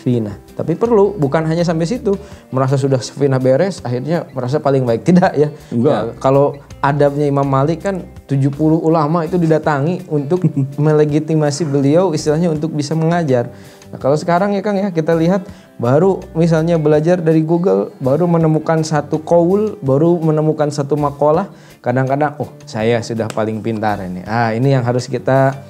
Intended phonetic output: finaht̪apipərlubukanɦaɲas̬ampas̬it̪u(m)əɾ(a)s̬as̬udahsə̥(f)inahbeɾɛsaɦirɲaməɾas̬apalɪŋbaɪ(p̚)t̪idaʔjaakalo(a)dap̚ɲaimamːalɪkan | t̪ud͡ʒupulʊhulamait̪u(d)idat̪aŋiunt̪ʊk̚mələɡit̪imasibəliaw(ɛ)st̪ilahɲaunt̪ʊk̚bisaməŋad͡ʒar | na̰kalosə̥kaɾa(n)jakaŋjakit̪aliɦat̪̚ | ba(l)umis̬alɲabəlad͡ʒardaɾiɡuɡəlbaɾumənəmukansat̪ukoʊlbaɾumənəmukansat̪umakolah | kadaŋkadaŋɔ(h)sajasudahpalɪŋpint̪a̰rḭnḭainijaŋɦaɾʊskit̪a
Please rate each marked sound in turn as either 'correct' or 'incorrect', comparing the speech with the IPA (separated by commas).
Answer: correct, correct, correct, incorrect, correct, correct, incorrect, incorrect, incorrect, correct